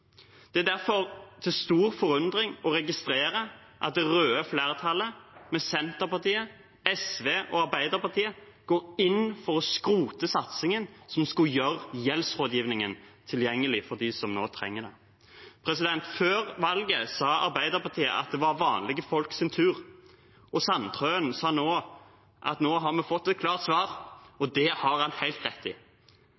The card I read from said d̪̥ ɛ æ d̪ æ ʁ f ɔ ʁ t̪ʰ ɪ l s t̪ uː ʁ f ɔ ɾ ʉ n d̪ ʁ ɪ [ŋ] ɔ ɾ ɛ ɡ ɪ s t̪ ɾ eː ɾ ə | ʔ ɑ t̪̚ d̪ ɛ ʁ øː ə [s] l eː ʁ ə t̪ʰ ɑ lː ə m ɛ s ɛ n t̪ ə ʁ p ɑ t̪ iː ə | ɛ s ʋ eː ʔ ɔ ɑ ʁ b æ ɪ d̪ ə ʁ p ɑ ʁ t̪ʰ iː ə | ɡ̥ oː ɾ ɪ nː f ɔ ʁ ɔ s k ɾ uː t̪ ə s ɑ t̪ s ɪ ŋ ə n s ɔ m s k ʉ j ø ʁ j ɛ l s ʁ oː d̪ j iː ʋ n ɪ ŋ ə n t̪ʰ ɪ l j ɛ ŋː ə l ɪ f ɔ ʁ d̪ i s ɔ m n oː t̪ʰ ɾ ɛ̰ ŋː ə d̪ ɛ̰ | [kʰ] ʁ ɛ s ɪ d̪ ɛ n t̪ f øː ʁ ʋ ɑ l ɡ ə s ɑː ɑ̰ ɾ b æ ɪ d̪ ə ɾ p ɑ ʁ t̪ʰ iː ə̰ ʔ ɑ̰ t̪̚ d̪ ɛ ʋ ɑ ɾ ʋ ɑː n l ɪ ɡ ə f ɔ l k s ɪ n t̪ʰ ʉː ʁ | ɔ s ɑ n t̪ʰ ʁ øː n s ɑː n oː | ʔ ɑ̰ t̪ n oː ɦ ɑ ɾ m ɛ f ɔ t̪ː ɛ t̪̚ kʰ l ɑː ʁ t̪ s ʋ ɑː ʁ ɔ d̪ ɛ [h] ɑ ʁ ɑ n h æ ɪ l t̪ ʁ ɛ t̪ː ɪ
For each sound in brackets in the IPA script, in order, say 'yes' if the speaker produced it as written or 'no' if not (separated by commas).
yes, no, no, yes